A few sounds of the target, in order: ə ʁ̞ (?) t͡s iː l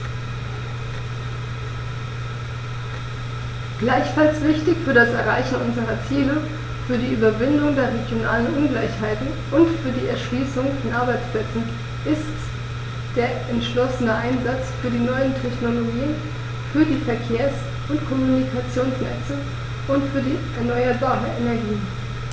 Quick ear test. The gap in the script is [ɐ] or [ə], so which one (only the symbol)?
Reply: ɐ